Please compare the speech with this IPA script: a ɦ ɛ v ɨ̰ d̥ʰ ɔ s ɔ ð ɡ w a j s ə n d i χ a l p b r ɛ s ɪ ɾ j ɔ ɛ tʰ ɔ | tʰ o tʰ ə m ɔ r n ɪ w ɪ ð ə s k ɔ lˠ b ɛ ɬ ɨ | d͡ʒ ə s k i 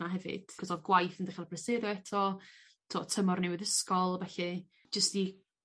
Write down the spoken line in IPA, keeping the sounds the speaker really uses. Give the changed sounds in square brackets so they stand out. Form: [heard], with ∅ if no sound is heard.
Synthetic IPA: a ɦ ɛ v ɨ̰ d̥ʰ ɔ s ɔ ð ɡ w a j [θ] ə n d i χ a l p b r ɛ s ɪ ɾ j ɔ ɛ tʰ ɔ | tʰ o tʰ ə m ɔ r n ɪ w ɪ ð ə s k ɔ lˠ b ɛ ɬ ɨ | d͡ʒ ə s [t] i